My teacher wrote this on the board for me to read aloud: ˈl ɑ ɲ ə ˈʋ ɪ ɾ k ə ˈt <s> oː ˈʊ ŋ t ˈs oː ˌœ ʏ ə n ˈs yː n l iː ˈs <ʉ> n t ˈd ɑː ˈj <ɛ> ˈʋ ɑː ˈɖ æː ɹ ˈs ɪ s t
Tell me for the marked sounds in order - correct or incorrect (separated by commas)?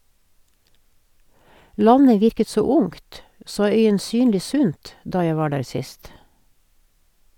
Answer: correct, correct, incorrect